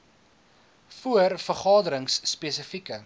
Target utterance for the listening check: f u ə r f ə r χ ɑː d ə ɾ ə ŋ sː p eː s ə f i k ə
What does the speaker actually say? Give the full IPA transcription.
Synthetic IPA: f u ə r f ə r χ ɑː d ə ɾ ə ŋ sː p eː s ə f i k ə